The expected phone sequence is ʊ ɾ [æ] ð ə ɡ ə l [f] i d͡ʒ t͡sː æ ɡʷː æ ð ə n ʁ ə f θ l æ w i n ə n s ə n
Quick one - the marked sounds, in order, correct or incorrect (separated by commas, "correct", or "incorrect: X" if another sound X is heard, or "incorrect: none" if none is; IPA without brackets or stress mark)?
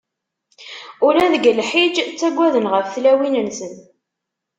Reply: correct, incorrect: ħ